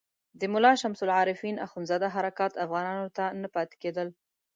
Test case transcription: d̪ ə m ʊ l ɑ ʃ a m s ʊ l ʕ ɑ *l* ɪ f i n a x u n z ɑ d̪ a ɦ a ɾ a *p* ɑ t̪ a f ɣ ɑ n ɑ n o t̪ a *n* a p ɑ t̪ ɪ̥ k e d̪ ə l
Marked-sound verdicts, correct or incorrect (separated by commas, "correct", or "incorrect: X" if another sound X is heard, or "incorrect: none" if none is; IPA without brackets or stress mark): incorrect: ɾ, incorrect: k, correct